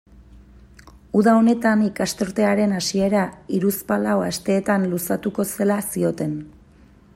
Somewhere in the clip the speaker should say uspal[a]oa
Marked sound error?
no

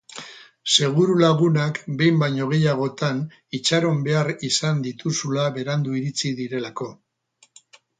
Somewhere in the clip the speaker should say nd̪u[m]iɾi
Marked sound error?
yes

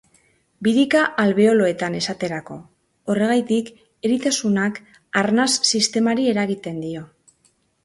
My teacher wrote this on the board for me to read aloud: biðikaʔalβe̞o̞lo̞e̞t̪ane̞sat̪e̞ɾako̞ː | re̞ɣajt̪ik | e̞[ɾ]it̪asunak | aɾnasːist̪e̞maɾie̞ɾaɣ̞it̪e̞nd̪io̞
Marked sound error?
no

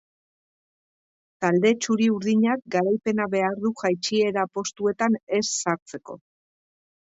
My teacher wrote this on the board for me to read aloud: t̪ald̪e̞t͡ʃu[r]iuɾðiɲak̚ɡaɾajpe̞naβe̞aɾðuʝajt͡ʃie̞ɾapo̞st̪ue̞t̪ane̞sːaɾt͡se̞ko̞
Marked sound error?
yes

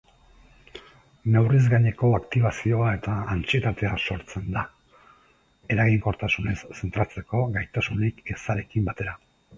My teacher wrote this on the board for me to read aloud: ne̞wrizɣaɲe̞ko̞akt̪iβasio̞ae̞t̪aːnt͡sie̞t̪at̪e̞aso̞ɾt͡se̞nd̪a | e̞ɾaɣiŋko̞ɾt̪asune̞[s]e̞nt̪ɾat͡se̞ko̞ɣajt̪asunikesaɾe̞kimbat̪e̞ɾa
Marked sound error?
yes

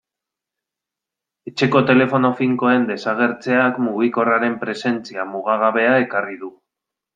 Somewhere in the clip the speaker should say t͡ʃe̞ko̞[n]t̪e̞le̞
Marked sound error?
yes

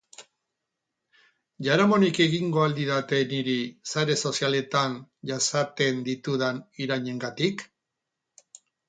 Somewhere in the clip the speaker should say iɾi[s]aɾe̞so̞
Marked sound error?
no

